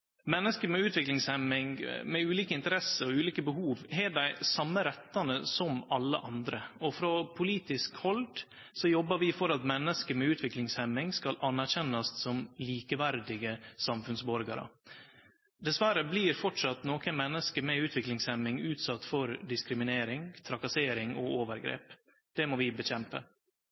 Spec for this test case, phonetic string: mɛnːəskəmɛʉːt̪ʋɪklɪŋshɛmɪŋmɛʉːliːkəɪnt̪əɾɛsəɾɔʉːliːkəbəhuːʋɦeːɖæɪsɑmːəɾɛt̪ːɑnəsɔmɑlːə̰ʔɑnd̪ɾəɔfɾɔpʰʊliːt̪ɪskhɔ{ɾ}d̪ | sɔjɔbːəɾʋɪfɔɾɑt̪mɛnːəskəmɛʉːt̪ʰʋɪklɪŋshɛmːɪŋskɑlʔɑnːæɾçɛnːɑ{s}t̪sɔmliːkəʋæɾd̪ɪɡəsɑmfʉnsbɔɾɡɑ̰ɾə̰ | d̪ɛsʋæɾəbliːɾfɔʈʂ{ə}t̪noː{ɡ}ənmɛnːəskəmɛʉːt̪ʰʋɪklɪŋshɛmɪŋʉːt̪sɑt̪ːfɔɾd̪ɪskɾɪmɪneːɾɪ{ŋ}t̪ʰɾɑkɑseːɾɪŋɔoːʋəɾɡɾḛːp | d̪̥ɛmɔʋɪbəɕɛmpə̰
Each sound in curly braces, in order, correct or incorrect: incorrect, correct, incorrect, incorrect, correct

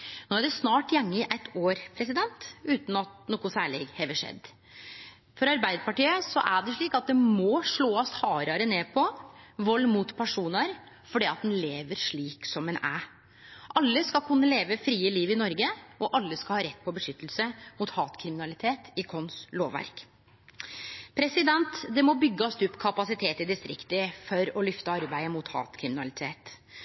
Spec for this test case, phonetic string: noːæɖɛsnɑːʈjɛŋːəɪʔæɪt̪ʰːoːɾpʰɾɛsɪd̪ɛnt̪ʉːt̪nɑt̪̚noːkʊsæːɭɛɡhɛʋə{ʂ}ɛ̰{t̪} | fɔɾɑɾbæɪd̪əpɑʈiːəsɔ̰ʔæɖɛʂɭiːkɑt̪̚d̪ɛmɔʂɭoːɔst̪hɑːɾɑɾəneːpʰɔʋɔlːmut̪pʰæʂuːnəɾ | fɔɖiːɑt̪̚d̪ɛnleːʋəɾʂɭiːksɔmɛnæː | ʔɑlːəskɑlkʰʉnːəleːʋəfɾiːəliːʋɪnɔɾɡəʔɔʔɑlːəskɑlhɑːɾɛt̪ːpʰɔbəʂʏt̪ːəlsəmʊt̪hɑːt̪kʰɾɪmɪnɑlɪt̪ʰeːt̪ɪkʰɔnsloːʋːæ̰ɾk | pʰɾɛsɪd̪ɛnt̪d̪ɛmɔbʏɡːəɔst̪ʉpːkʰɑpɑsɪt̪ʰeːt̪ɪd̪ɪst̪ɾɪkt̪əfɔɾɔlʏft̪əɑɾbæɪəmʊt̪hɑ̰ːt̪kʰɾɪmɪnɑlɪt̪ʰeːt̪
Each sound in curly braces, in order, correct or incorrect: correct, incorrect

